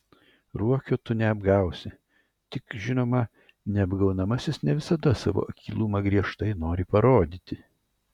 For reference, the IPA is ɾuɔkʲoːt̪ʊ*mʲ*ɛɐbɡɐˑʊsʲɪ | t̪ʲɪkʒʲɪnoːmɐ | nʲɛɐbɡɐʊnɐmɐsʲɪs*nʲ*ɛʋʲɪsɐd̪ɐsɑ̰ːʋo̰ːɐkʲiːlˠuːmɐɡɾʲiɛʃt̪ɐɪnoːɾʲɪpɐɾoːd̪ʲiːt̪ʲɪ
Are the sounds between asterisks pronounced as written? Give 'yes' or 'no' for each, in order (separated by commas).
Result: no, yes